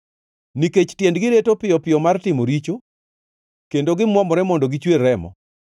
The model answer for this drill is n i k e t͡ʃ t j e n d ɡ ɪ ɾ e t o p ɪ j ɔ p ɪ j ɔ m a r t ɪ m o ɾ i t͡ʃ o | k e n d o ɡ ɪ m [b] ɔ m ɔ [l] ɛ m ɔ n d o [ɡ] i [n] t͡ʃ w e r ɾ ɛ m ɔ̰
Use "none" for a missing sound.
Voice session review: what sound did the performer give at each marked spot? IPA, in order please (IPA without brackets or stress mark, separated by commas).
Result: w, ɾ, ɡ, none